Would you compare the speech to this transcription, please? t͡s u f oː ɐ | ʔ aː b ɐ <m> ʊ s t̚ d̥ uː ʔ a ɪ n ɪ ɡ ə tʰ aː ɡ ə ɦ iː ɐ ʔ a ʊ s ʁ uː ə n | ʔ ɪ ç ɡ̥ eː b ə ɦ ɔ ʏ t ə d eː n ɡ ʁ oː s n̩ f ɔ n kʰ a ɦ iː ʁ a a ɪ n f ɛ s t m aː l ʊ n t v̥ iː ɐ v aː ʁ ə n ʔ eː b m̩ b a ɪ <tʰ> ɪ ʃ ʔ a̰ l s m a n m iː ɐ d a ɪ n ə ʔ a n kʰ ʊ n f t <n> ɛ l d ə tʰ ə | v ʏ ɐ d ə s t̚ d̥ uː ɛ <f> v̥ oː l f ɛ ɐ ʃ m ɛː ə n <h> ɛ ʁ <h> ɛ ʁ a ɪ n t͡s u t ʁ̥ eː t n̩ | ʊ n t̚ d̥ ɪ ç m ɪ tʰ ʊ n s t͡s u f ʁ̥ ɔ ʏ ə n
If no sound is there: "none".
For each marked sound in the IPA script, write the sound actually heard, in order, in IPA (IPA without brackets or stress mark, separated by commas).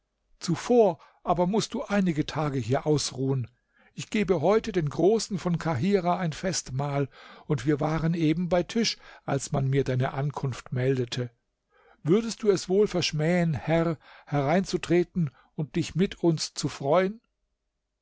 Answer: m, tʰ, m, s, h, h